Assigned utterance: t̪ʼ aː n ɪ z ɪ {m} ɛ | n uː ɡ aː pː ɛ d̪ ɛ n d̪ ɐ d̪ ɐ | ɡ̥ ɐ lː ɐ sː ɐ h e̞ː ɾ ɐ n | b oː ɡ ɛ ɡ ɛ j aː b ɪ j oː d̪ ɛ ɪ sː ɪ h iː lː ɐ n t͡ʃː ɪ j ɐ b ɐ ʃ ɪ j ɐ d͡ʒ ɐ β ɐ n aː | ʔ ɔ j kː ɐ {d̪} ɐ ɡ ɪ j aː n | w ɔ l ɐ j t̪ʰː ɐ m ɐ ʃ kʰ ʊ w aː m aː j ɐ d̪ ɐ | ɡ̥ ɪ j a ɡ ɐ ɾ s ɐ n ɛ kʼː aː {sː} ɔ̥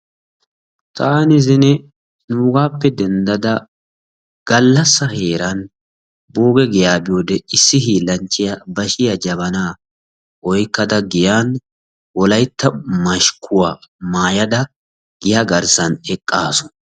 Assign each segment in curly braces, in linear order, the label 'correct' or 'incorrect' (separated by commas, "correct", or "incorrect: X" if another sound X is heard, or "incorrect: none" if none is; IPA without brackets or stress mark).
incorrect: n, correct, incorrect: s